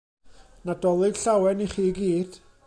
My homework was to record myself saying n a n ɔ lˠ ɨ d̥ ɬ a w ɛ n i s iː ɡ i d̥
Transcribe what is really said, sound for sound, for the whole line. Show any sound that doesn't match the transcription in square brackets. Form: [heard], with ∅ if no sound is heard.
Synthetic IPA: n a [d] ɔ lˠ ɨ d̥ ɬ a w ɛ n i [χ] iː ɡ [iː] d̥